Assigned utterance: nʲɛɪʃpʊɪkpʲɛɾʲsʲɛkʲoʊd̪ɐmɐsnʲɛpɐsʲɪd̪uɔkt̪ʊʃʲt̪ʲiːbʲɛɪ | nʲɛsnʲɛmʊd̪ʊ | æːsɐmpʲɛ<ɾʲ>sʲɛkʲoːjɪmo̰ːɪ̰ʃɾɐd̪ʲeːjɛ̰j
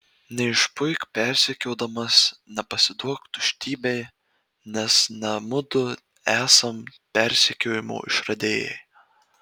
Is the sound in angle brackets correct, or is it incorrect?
correct